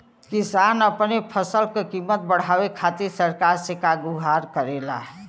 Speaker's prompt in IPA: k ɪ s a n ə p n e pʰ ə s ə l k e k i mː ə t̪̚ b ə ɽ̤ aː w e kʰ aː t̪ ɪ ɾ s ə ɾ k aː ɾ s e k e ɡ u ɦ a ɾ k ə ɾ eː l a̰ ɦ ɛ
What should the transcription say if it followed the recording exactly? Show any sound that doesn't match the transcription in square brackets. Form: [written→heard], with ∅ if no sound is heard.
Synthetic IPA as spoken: k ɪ s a n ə p n e pʰ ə s ə l k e k i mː ə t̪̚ b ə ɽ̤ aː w e kʰ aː t̪ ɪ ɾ s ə ɾ k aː ɾ s e k [e→a] ɡ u ɦ a ɾ k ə ɾ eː l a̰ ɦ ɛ